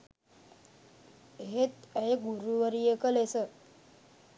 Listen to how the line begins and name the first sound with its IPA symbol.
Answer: ɦ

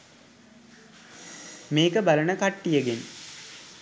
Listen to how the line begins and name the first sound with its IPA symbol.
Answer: m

